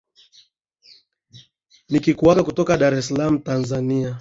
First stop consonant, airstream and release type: plain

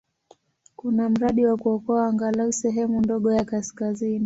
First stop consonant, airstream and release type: plain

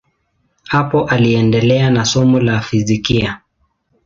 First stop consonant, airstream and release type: plain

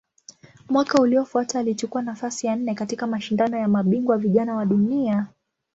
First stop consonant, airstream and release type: plain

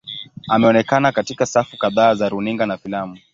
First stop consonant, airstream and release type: plain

